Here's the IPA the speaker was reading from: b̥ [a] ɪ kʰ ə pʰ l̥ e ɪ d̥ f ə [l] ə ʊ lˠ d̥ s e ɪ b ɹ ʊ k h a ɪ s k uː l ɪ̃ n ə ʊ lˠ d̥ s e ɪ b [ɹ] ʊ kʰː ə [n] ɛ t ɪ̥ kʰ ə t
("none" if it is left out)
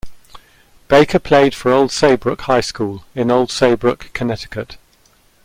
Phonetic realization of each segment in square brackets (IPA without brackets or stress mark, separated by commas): e, ɹ, ɹ, n